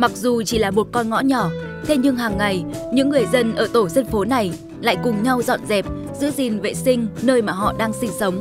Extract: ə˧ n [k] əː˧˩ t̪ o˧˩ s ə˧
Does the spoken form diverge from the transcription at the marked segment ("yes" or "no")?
yes